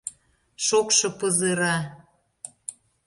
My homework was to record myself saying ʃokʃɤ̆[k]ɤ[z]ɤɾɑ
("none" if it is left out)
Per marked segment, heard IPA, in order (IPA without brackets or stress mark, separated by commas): p, z